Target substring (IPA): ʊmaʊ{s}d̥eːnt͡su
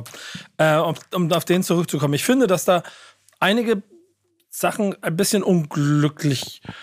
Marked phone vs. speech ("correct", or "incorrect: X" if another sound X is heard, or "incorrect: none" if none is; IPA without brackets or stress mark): incorrect: f